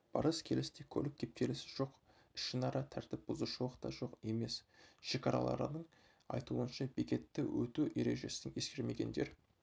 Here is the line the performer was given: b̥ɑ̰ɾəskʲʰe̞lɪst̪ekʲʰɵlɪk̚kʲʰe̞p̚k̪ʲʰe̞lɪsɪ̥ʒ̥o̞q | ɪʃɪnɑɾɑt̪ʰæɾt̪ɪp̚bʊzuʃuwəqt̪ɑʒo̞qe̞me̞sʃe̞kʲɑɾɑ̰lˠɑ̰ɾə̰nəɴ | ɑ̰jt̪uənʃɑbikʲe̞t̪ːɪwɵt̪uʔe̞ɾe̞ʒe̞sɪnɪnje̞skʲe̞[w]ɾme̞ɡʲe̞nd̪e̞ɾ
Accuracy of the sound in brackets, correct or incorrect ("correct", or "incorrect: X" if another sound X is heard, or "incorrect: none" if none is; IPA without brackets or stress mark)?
incorrect: none